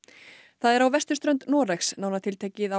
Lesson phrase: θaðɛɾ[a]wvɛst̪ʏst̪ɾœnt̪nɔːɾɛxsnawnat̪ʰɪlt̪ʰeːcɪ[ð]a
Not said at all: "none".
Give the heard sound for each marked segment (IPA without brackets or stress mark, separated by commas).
a, ð